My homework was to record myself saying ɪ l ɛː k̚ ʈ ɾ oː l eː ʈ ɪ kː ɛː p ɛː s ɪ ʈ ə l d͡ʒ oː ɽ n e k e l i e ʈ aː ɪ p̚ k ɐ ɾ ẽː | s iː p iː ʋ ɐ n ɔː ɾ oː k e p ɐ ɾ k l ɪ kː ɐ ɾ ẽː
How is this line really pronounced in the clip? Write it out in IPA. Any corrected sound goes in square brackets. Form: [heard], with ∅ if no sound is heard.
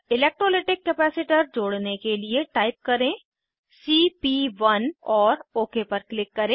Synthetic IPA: ɪ l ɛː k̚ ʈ ɾ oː l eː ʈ ɪ kː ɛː p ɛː s ɪ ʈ ə [ɾ] d͡ʒ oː ɽ n e k e l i e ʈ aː ɪ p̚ k ɐ ɾ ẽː | s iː p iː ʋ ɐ n ɔː ɾ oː k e p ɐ ɾ k l ɪ kː ɐ ɾ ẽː